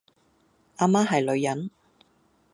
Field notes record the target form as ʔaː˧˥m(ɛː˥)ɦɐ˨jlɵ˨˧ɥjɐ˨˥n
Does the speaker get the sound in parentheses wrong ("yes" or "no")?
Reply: yes